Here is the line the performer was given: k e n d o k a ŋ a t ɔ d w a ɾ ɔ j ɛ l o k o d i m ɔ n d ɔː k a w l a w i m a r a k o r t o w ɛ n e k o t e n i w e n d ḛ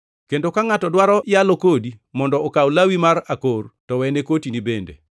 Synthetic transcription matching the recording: k e n d o k a ŋ a t ɔ d w a ɾ ɔ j a l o k o d i m ɔ n d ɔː k a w l a w i m a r a k o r t ɔ w ɛ n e k o t i n i b e n d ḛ

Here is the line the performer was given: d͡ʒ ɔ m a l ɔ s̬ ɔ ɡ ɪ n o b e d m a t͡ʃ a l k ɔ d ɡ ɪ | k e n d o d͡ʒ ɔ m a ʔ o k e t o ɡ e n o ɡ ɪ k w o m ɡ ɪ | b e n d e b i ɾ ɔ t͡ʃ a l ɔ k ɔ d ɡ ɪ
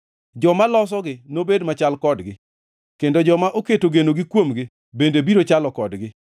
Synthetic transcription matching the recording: d͡ʒ ɔ m a l ɔ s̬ ɔ ɡ ɪ n o b e d m a t͡ʃ a l k ɔ d ɡ ɪ | k e n d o d͡ʒ ɔ m a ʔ o k e t o ɡ e n o ɡ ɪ k w o m ɡ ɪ | b e n d e b i ɾ o t͡ʃ a l ɔ k ɔ d ɡ ɪ

